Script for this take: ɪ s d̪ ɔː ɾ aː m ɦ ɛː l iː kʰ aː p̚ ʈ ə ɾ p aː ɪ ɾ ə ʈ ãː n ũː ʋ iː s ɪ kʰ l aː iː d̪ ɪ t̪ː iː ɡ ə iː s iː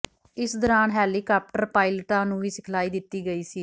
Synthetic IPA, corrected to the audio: ɪ s d̪ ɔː ɾ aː n ɦ ɛː l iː k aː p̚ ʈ ə ɾ p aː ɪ l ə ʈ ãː n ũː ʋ iː s ɪ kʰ l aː iː d̪ ɪ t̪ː iː ɡ ə iː s iː